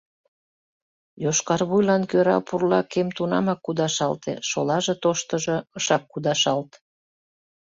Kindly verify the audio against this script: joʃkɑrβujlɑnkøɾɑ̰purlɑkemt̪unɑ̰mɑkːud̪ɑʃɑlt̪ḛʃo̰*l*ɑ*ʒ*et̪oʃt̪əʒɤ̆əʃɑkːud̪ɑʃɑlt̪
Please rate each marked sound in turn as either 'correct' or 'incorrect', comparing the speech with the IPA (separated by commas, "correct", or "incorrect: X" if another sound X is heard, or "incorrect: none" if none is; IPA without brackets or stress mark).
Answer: correct, correct